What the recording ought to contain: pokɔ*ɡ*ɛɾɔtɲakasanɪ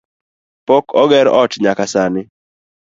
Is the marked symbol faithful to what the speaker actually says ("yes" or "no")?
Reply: yes